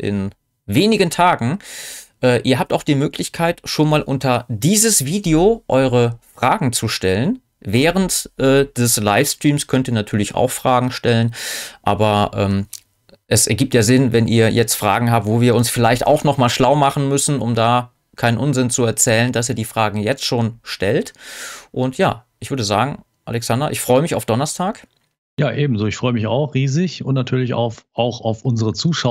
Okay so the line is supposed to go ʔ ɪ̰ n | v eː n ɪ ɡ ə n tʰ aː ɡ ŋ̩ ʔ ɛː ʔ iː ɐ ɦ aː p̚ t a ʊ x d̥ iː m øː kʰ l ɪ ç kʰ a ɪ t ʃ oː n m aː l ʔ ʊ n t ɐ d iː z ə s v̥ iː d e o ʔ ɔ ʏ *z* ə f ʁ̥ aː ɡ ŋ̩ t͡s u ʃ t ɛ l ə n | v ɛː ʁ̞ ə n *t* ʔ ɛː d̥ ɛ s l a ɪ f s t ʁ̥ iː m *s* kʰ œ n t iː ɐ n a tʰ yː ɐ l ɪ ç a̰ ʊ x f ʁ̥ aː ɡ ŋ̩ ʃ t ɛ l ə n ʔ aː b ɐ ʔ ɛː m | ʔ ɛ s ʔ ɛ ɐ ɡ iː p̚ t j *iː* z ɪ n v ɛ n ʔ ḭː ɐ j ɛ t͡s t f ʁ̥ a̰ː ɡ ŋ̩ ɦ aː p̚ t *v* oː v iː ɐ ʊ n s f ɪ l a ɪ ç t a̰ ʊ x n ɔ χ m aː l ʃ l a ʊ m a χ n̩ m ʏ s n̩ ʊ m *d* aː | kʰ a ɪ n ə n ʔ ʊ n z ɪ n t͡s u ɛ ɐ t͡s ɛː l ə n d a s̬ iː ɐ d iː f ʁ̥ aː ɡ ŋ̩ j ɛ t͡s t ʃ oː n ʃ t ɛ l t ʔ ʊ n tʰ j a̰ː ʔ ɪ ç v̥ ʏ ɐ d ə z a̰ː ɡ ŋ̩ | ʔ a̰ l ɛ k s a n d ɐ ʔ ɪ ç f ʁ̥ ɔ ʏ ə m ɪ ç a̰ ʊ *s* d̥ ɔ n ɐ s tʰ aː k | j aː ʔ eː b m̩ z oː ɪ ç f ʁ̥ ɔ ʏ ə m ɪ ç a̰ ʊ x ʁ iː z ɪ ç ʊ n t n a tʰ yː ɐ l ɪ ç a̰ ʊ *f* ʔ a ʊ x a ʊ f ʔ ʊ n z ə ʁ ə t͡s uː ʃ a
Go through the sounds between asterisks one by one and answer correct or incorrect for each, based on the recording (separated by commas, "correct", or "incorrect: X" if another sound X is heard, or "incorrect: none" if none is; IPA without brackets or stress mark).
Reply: incorrect: ʁ, correct, correct, incorrect: aː, correct, correct, incorrect: f, correct